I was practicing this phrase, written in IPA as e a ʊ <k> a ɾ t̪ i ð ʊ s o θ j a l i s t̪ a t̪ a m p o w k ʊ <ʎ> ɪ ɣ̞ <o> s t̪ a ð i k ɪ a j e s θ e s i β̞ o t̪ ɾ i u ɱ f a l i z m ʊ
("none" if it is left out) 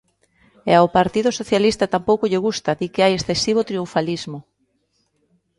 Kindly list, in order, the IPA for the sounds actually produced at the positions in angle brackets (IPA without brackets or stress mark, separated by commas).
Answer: p, ʎ, u